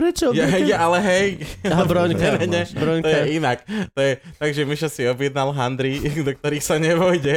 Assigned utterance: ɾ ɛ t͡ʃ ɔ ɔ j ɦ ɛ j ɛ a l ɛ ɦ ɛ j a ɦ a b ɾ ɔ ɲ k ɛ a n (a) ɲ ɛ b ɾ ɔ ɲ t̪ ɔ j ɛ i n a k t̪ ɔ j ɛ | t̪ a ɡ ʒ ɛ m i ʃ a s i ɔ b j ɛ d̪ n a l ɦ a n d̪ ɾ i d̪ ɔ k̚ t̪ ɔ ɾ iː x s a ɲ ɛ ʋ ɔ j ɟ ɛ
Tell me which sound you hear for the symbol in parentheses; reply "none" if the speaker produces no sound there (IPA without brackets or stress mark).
ɛ